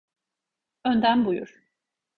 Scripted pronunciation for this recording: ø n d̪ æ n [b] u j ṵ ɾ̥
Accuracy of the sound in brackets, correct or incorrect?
correct